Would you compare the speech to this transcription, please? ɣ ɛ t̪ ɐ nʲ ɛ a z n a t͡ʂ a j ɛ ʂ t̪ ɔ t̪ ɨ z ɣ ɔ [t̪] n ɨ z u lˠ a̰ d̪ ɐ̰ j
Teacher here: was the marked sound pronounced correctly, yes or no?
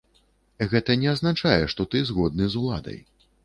no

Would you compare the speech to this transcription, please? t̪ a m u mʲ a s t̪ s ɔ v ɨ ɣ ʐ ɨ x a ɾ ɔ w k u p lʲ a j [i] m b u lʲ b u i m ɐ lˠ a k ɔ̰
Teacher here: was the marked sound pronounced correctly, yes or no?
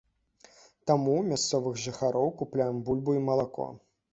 no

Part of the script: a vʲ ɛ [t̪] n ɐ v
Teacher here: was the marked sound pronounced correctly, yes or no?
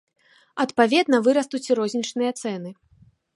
no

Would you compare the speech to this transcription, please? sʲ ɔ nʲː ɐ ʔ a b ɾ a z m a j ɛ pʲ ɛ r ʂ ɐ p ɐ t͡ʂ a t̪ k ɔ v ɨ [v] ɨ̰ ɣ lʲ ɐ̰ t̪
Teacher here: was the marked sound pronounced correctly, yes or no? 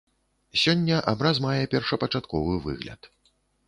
yes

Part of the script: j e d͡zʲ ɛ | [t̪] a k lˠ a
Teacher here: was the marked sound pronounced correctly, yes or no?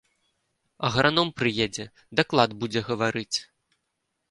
no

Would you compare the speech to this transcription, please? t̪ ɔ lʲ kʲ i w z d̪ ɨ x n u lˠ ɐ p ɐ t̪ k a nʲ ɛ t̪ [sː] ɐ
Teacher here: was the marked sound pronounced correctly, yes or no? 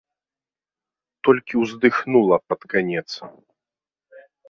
no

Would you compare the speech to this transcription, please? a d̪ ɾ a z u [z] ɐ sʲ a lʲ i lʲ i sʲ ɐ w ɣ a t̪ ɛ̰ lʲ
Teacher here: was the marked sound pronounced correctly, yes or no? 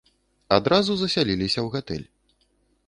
yes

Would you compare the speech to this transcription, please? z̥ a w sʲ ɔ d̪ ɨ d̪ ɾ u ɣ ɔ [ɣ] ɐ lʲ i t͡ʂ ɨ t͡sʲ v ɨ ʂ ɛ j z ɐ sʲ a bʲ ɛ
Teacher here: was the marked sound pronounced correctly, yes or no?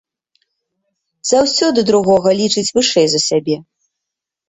yes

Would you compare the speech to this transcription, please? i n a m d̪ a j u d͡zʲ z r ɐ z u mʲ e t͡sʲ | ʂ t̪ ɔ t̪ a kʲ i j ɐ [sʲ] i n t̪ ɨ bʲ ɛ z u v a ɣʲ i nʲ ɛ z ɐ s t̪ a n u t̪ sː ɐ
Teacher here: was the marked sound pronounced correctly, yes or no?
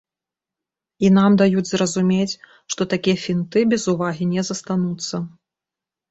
no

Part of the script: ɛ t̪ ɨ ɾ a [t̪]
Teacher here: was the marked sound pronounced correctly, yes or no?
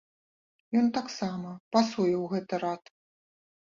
yes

